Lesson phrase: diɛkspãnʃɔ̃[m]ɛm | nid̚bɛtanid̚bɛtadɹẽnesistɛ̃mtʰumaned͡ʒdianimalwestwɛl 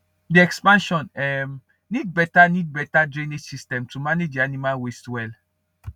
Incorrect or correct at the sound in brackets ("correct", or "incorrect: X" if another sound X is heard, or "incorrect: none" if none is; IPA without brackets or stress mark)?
incorrect: n